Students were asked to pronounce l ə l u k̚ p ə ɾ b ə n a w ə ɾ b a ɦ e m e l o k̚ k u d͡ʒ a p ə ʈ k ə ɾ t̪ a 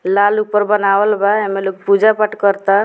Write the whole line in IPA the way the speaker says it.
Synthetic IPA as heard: l a l u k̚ p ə ɾ b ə n a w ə l b a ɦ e m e l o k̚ p u d͡ʒ a p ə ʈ k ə ɾ t̪ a